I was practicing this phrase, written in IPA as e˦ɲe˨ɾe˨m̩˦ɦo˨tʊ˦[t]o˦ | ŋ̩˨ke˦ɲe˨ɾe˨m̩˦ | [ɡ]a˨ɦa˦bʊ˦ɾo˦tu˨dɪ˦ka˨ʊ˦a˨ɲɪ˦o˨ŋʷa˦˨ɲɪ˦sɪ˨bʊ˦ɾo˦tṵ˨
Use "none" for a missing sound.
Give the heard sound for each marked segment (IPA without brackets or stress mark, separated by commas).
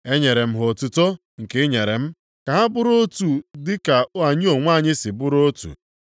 t, k